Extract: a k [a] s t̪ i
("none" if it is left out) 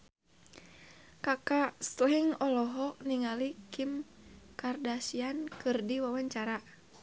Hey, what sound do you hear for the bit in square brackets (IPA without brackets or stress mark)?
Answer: a